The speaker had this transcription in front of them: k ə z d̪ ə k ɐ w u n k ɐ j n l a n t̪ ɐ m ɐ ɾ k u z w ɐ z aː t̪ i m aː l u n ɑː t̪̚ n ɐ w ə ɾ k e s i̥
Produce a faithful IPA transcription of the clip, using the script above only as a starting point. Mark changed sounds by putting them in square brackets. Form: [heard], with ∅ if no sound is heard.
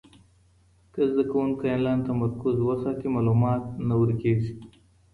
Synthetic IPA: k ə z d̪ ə k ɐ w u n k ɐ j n l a n t̪ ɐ m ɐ ɾ k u z w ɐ [s] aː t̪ i m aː l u [m] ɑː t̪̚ n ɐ w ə ɾ k e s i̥